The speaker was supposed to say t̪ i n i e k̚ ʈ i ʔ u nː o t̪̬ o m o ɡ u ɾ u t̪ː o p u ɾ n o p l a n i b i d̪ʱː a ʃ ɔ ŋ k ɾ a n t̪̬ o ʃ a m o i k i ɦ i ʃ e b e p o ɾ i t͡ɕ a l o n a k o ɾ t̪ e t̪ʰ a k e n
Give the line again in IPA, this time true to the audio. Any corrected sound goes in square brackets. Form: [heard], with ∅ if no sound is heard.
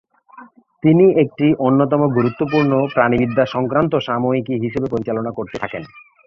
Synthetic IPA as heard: t̪ i n i e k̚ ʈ i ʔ [o] nː o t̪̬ [ɔ] m o ɡ u ɾ u t̪ː o p u ɾ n o p [ɾ] a n i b i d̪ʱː a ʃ ɔ ŋ k ɾ a n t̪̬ o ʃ a m o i k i ɦ i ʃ e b e p o ɾ i t͡ɕ a l o n a k o ɾ t̪ e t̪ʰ a k e n